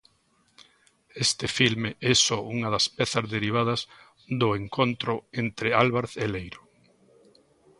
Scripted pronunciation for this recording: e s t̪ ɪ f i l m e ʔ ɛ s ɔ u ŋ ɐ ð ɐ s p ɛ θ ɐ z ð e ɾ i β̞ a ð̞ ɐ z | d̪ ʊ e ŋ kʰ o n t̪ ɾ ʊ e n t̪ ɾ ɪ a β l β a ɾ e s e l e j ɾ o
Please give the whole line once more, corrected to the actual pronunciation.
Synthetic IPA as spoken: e s t̪ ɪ f i l m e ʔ ɛ s ɔ u ŋ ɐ ð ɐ s p ɛ θ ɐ z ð e ɾ i β̞ a ð̞ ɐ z | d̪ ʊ e ŋ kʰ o n t̪ ɾ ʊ e n t̪ ɾ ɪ a l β a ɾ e θ e l e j ɾ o